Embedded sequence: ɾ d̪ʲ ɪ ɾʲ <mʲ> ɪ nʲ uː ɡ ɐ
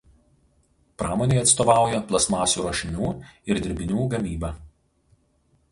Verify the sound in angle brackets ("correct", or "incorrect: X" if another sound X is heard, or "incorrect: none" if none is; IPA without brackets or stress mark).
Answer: incorrect: bʲ